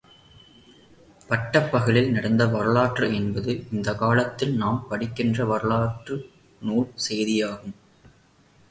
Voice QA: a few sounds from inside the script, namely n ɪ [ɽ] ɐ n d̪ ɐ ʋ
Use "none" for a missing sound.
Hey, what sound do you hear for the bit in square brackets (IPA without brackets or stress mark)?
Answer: ɽ